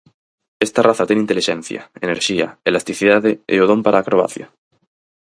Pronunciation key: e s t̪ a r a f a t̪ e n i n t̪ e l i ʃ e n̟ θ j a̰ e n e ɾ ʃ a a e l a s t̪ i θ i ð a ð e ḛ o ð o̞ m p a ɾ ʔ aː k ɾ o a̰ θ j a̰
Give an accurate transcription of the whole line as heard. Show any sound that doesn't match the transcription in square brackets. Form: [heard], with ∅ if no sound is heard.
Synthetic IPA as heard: e s t̪ a r a [θ] a t̪ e n i n t̪ e l i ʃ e n̟ θ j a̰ e n e ɾ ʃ [i] a e l a s t̪ i θ i ð a ð e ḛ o ð o̞ m p a ɾ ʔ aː k ɾ o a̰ θ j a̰